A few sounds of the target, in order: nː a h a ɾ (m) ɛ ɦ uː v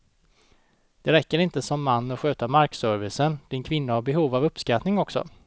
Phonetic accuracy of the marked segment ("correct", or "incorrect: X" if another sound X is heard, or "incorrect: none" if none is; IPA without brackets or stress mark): incorrect: b